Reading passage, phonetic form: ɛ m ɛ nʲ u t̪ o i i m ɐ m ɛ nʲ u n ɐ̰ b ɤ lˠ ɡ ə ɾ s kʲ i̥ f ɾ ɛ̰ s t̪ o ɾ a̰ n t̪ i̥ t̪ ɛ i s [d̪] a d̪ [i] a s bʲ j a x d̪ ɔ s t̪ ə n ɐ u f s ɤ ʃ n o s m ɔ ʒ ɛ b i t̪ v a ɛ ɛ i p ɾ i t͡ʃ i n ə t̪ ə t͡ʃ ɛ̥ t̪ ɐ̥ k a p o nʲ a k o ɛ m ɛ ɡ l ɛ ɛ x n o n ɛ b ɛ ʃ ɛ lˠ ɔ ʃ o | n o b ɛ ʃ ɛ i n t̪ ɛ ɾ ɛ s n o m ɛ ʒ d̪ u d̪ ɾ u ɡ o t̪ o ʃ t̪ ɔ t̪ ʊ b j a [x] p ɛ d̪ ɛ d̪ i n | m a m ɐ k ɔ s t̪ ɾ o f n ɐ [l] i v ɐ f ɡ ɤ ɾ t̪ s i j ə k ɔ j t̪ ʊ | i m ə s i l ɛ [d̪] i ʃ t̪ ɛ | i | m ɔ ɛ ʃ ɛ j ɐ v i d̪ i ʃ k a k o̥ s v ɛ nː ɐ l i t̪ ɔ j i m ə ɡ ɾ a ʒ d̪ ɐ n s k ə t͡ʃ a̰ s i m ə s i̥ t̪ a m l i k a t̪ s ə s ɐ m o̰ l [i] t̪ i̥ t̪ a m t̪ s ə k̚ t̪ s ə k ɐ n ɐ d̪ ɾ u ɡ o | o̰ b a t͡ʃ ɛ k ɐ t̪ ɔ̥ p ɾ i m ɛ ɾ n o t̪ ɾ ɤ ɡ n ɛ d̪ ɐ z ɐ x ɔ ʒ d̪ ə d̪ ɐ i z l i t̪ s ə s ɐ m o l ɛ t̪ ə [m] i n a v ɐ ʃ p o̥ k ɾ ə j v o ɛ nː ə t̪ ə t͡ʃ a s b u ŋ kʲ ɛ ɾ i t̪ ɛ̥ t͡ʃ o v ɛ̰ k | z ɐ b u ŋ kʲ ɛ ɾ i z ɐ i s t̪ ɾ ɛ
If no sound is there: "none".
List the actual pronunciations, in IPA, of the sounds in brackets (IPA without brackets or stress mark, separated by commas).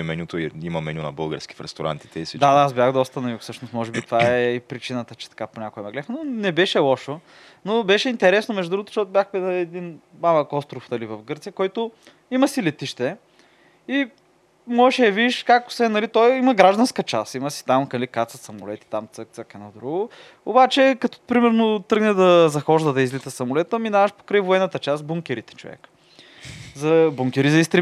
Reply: d̪, a, x, l, t̪, ɛ, m